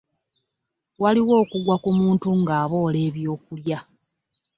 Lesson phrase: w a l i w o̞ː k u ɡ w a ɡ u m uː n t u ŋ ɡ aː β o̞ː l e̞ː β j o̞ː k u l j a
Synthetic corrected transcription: w a l i w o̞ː k u ɡ w a k u m uː n t u ŋ ɡ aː β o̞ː l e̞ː β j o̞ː k u l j a

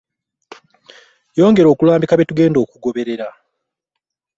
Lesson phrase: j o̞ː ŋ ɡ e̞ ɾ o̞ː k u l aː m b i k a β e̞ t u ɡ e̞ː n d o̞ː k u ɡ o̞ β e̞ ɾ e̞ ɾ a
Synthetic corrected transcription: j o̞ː ŋ ɡ e̞ ɾ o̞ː k u l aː m b i k a β e̞ t u ɡ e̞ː n d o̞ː k u ɡ o̞ β e̞ ɾ e̞ ɾ a

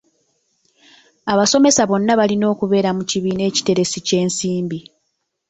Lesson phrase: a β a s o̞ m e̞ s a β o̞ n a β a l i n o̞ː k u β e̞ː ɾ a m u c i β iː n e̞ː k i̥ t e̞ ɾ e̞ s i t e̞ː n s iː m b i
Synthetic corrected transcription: a β a s o̞ m e̞ s a β o̞ nː a β a l i n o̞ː k u β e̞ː ɾ a m u c i β iː n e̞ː c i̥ t e̞ ɾ e̞ s i c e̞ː n s iː m b i

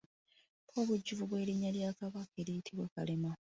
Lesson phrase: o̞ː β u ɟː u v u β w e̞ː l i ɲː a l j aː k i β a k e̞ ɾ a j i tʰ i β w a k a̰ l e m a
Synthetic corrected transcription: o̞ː β u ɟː u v u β w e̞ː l i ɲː a l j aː k a β a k e̞ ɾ i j i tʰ i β w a k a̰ l e m a

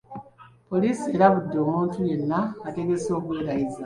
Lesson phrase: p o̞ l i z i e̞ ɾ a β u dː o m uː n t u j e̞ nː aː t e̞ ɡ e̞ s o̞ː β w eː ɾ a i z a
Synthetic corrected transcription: p o̞ l i s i e̞ ɾ a β u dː o m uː n t u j e̞ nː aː t e̞ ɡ e̞ s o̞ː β w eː ɾ a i z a

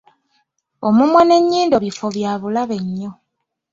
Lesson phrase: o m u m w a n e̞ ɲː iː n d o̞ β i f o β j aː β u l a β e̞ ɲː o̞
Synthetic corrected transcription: o m u m w a n e̞ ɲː iː n d o̞ β i f o β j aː β u l a β e̞ ɲː o̞

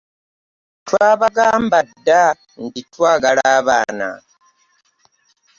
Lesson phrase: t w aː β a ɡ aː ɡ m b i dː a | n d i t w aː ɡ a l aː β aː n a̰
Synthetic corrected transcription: t w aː β a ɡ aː m b a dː a | n d i t w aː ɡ a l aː β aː n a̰

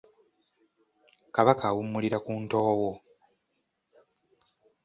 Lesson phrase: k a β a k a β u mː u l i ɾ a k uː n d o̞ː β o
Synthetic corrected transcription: k a β a k a w u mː u l i ɾ a k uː n t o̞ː w o

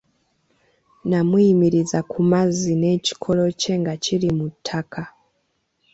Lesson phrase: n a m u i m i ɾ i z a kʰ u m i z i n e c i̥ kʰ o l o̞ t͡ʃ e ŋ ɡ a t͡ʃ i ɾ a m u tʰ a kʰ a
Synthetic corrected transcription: n a m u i m i ɾ i z a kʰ u m a z i n e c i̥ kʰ o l o̞ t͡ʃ e ŋ ɡ a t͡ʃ i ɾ i m u tʰ a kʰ a

